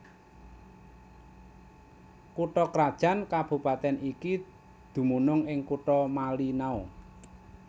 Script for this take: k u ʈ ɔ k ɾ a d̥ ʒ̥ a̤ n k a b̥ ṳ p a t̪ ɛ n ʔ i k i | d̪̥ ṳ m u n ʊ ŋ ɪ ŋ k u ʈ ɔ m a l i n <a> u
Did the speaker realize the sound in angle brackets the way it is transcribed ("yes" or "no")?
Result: yes